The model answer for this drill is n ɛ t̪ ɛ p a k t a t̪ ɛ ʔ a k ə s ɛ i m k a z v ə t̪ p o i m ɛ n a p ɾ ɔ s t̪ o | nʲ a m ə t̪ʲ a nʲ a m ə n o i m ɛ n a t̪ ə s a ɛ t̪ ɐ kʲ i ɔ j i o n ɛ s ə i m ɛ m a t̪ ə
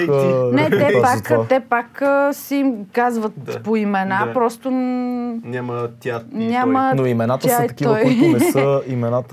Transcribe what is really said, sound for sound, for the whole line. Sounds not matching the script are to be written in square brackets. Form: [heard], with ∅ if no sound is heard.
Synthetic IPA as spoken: n ɛ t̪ ɛ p a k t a t̪ ɛ [p] a k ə s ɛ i m k a z v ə t̪ p o i m ɛ n a p ɾ ɔ s t̪ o | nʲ a m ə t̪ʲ a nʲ a m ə n o i m ɛ n a t̪ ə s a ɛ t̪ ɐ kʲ i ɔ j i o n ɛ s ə i m ɛ [n] a t̪ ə